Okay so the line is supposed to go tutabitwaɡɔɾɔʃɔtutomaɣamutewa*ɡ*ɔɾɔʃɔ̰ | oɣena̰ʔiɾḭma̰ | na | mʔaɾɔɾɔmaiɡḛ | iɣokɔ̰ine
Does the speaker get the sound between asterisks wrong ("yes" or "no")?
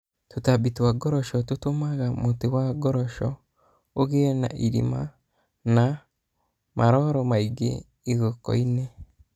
no